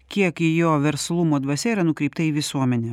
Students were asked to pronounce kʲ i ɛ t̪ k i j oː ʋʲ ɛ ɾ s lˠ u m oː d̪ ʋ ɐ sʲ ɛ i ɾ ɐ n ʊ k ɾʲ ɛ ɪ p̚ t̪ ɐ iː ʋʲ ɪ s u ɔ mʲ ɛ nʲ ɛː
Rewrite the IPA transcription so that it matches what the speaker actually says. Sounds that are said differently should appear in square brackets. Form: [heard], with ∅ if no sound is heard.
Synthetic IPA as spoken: kʲ i ɛ [∅] k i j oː ʋʲ ɛ ɾ s lˠ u m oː d̪ ʋ ɐ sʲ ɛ i ɾ ɐ n ʊ k ɾʲ ɛ ɪ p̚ t̪ ɐ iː ʋʲ ɪ s u ɔ mʲ ɛ nʲ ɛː